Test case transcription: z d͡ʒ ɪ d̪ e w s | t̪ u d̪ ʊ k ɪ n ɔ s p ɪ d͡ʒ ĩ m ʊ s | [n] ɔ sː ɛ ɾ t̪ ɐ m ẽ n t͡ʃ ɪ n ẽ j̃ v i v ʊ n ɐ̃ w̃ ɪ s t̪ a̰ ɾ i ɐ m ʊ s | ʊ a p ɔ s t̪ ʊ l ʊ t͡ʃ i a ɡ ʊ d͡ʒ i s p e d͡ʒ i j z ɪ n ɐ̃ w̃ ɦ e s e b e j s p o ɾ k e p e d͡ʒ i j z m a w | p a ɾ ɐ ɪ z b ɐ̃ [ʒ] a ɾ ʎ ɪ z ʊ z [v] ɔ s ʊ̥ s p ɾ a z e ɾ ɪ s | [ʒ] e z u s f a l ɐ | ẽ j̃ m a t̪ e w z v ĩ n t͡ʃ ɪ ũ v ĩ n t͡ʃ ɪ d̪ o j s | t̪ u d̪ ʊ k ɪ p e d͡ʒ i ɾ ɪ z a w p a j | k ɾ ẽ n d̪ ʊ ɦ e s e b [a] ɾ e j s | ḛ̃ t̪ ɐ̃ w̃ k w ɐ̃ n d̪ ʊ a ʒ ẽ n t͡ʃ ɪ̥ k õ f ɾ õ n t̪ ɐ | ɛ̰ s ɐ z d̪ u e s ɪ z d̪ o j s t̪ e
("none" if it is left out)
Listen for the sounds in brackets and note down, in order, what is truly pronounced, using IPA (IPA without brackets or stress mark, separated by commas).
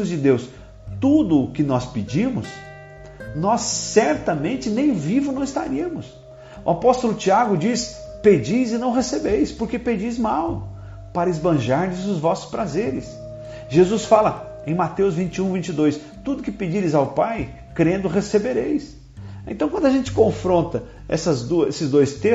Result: n, ʒ, v, ʒ, e